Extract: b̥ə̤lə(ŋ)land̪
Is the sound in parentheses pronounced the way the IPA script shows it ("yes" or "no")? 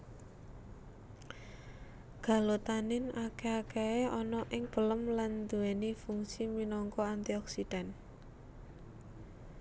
no